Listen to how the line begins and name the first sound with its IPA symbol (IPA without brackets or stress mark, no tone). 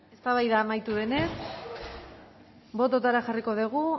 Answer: e̞